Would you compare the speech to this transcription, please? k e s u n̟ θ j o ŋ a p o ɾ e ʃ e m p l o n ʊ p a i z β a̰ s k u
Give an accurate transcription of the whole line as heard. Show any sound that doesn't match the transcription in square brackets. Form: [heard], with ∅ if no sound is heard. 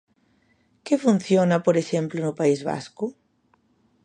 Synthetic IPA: k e [f] u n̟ θ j o [n] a p o ɾ e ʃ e m p l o n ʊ p a i z β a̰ s k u